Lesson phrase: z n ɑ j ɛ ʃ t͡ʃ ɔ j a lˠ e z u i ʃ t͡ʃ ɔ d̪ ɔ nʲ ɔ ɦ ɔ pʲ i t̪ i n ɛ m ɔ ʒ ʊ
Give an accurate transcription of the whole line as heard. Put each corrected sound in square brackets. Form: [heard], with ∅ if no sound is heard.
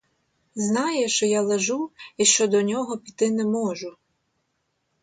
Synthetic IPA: z n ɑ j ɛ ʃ t͡ʃ ɔ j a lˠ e [ʒ] u i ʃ t͡ʃ ɔ d̪ ɔ nʲ ɔ ɦ ɔ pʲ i t̪ [ɪ] n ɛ m ɔ ʒ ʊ